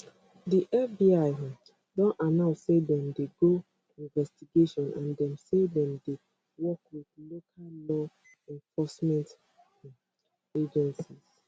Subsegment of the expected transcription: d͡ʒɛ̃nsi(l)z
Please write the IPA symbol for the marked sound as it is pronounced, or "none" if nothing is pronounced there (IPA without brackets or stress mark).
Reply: none